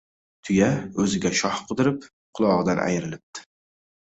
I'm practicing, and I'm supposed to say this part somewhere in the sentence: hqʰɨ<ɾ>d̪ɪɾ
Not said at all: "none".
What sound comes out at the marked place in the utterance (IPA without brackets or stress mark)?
none